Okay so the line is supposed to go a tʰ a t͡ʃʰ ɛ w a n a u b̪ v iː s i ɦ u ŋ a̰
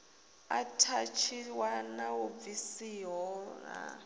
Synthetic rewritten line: a tʰ a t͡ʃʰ i w a n a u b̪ v i s i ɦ ɔ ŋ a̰